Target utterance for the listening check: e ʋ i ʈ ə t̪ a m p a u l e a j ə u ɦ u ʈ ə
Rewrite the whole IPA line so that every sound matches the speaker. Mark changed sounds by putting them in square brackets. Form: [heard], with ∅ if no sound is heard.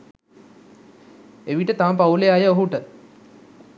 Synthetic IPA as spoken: e ʋ i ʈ ə t̪ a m p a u l e a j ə [o] ɦ u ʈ ə